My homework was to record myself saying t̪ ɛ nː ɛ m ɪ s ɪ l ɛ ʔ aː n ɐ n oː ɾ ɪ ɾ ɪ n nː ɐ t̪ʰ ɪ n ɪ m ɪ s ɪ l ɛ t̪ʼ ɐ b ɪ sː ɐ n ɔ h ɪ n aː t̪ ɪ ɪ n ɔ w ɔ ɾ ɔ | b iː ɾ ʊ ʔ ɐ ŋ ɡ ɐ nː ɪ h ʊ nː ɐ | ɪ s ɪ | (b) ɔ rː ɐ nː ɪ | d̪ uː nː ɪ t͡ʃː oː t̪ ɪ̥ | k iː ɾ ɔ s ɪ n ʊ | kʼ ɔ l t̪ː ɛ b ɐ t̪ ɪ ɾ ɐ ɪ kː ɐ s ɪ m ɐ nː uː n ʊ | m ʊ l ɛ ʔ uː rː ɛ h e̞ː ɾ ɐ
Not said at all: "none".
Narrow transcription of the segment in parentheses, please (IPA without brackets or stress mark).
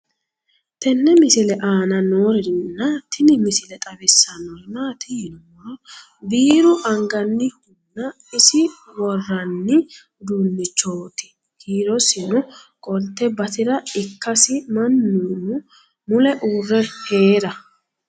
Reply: w